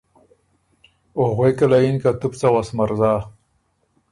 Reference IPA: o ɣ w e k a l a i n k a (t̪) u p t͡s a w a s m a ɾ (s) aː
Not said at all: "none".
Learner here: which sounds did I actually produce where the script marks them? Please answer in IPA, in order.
t̪, z

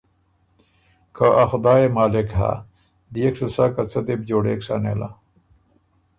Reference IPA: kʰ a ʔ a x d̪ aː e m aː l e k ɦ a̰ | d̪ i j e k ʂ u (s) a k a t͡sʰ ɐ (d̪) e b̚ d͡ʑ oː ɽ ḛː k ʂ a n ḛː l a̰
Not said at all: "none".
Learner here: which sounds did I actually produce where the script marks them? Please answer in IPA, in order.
s, d̪

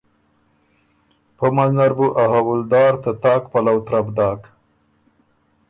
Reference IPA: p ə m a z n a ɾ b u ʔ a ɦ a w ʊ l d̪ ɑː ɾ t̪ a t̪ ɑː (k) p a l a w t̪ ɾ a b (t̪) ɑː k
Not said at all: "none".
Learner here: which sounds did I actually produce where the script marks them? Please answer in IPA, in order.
k, d̪

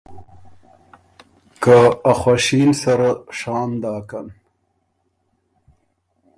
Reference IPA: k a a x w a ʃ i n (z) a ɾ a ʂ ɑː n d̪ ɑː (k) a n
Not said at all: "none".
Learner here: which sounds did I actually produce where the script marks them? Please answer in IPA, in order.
s, k

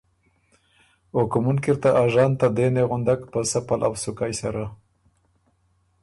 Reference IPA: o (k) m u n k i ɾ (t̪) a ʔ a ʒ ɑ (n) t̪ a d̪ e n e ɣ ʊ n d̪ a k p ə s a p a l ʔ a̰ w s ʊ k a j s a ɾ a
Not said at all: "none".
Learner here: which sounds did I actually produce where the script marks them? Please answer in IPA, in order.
k, t̪, n

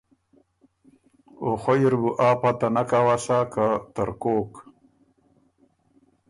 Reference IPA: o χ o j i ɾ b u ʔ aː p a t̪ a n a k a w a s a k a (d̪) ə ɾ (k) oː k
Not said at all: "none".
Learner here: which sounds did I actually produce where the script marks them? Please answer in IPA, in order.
t̪, k

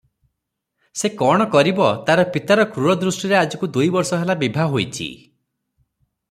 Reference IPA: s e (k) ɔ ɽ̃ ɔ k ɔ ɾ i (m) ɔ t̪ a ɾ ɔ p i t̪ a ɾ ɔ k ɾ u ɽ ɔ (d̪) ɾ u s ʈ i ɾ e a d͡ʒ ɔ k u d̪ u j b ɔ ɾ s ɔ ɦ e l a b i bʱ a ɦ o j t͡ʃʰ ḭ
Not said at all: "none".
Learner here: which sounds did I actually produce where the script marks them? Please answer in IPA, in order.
k, b, d̪

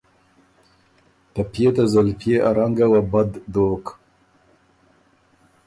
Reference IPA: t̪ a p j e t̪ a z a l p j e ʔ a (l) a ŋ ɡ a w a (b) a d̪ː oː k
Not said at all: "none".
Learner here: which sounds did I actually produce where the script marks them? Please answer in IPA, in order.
ɾ, b

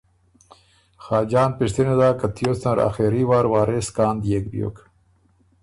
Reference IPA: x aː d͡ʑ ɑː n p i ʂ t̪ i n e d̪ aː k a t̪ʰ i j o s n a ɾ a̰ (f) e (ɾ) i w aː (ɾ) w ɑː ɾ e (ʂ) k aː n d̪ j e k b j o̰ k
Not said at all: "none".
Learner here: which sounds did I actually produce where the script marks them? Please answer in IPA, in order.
x, ɾ, ɾ, s

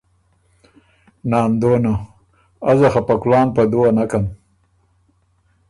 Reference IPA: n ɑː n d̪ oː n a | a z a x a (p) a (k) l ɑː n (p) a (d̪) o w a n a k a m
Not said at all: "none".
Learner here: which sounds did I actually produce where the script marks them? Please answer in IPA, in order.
p, k, p, d̪

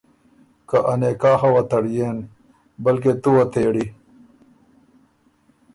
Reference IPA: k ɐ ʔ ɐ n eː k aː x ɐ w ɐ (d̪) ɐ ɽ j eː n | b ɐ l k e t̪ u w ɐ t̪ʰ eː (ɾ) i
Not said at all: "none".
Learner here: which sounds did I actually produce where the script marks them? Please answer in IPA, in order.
t̪, ɽ

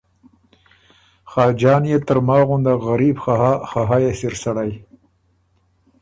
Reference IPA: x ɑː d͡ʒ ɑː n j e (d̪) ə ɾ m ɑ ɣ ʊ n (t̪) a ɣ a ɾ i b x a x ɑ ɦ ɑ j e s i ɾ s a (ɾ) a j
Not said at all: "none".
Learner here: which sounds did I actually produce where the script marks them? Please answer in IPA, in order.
t̪, d̪, ɽ

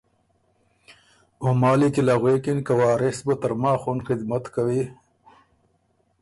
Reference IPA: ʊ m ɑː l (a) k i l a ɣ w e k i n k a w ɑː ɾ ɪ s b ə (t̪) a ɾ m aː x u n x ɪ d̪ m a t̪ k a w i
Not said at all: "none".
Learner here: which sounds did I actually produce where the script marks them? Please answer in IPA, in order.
i, t̪

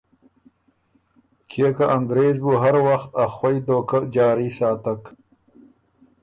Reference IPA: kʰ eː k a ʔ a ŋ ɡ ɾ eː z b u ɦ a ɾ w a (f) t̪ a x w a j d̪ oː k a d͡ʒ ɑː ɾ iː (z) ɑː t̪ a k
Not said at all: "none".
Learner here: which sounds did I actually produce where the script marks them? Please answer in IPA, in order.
x, s

